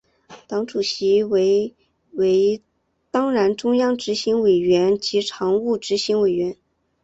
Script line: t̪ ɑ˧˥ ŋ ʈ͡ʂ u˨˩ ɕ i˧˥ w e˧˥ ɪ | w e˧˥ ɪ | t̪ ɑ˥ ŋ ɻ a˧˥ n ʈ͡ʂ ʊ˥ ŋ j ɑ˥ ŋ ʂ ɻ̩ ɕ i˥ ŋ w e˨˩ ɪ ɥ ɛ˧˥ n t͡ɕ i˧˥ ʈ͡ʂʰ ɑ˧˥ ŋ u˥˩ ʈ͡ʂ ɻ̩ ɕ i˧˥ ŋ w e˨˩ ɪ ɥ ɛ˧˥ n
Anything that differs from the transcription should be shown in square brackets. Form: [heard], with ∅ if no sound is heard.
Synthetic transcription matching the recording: t̪ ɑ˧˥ ŋ ʈ͡ʂ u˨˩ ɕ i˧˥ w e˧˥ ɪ | w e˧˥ ɪ | t̪ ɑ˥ ŋ ɻ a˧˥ n ʈ͡ʂ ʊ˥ ŋ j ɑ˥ ŋ [ʈ͡ʂ] ɻ̩ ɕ [i˧˥] ŋ w e˨˩ ɪ ɥ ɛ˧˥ n t͡ɕ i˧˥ ʈ͡ʂʰ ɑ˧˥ ŋ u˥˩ ʈ͡ʂ ɻ̩ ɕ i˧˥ ŋ w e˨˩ ɪ ɥ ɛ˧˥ n

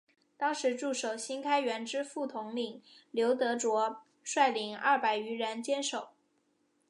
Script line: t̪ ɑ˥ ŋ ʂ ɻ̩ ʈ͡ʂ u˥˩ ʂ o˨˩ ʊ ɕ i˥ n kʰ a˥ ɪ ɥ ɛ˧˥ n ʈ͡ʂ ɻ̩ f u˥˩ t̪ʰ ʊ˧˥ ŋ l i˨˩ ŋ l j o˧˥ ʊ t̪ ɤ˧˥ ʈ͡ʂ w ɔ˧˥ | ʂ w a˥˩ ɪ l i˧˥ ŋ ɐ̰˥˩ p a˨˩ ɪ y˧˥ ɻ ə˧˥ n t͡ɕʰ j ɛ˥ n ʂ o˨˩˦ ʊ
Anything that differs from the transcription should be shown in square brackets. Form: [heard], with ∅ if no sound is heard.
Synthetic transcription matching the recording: t̪ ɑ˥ ŋ ʂ ɻ̩ ʈ͡ʂ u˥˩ ʂ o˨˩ ʊ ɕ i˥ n kʰ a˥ ɪ ɥ ɛ˧˥ n ʈ͡ʂ ɻ̩ f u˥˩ t̪ʰ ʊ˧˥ ŋ l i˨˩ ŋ l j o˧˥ ʊ t̪ ɤ˧˥ ʈ͡ʂ w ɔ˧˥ | ʂ w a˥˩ ɪ l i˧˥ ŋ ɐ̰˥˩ p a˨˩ ɪ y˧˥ ɻ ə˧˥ n [t͡ɕ] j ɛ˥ n ʂ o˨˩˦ ʊ

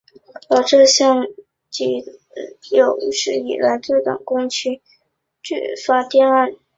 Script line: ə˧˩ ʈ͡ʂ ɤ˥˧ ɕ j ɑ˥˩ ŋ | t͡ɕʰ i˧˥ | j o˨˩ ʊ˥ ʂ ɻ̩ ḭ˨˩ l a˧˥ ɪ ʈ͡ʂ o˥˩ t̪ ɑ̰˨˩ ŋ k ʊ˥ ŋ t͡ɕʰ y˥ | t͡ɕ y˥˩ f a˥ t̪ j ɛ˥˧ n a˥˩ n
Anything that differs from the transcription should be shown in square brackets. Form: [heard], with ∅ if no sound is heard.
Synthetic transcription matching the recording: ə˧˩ ʈ͡ʂ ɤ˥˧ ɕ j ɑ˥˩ ŋ | [t͡ɕ] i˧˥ | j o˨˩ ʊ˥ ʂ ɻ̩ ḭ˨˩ l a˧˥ ɪ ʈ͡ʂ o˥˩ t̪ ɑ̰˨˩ ŋ k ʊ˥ ŋ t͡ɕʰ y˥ | t͡ɕ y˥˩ f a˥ t̪ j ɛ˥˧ n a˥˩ n

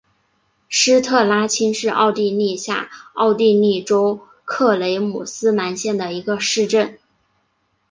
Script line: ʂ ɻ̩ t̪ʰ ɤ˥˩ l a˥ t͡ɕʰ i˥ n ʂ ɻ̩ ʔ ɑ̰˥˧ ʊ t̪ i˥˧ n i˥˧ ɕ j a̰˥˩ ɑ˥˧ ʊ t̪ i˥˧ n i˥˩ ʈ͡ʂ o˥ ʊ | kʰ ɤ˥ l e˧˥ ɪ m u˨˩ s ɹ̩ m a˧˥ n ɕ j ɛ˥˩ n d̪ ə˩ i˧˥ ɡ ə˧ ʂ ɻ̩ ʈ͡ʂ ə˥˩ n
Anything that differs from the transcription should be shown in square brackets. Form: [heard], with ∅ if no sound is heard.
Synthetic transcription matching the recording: ʂ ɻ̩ t̪ʰ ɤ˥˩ l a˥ t͡ɕʰ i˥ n ʂ ɻ̩ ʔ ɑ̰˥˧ ʊ t̪ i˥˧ n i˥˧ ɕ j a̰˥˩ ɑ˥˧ ʊ t̪ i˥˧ n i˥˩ ʈ͡ʂ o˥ ʊ | kʰ [ɤ˥˩] l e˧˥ ɪ m u˨˩ s ɹ̩ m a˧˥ n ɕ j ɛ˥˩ n d̪ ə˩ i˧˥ ɡ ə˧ ʂ ɻ̩ ʈ͡ʂ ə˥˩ n

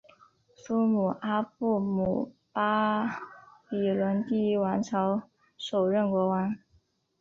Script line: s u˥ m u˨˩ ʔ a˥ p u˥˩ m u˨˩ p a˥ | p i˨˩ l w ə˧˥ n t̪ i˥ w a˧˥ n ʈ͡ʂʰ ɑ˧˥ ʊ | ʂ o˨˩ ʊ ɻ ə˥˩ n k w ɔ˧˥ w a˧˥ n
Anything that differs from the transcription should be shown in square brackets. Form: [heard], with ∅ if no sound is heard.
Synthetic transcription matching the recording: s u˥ m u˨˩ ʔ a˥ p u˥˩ m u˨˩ p a˥ | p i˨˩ l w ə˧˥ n t̪ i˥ w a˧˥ n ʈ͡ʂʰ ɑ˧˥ ʊ | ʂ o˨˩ ʊ ɻ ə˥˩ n k w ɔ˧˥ w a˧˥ n

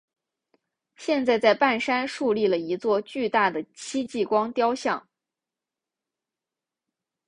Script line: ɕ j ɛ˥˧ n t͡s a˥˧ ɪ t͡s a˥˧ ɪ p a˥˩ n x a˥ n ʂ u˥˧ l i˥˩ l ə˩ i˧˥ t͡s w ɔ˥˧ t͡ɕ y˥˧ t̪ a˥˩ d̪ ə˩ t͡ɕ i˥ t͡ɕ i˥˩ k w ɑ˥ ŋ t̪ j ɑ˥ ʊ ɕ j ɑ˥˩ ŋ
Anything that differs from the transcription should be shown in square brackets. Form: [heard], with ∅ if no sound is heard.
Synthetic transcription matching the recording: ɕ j ɛ˥˧ n t͡s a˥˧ ɪ t͡s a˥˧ ɪ p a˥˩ n [ʂ] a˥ n ʂ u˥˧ l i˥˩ l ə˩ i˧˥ t͡s w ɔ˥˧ t͡ɕ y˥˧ t̪ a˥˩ d̪ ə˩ [t͡ɕʰ] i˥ t͡ɕ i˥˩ k w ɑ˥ ŋ t̪ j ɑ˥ ʊ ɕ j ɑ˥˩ ŋ

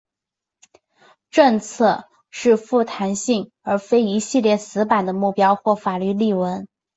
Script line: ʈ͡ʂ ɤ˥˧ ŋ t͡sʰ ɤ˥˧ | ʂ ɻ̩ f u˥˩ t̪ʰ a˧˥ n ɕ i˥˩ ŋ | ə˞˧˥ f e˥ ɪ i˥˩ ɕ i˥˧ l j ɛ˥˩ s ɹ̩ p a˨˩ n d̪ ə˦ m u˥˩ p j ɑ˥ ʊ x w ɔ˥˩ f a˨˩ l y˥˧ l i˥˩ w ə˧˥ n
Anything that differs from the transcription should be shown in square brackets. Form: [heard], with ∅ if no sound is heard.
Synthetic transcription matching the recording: ʈ͡ʂ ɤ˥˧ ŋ t͡sʰ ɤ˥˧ | ʂ ɻ̩ f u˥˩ t̪ʰ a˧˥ n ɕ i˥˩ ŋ | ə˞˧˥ f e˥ ɪ [i˧˥] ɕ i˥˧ l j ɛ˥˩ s ɹ̩ p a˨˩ n d̪ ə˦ m u˥˩ p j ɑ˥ ʊ x w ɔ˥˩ f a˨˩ l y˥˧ l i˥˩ w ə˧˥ n

